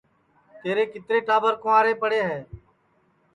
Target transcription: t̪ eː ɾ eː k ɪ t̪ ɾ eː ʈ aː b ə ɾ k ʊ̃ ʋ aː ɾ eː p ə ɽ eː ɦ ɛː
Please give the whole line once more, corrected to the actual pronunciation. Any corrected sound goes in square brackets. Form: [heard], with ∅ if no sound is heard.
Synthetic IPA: t̪ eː ɾ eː k ɪ t̪ ɾ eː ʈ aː b ə ɾ k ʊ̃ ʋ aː ɾ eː p ə ɽ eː ɦ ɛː